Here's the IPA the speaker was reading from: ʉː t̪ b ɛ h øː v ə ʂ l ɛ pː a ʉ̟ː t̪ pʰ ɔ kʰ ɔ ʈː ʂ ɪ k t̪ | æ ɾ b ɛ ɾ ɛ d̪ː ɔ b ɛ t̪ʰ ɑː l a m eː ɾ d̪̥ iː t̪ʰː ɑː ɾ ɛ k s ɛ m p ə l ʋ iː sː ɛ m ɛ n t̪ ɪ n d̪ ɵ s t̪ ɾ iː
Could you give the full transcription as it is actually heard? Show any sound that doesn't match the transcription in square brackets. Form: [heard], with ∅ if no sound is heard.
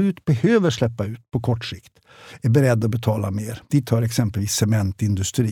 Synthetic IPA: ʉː t̪ b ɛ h øː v ə ʂ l ɛ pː a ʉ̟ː t̪ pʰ ɔ kʰ ɔ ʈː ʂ ɪ k t̪ | æ ɾ b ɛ ɾ ɛ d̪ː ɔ b ɛ t̪ʰ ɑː l a m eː ɾ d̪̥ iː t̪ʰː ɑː ɾ ɛ k s ɛ m p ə l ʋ iː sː ɛ m ɛ n t̪ ɪ n d̪ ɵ s t̪ ɾ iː